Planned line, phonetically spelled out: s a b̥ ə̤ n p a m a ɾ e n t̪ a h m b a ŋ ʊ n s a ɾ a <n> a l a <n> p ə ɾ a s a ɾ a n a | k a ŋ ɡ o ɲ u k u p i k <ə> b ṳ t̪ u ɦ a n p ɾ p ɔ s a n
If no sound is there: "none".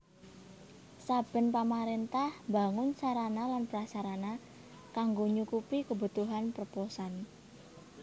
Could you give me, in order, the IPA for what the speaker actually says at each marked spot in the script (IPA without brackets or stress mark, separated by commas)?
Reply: n, n, ə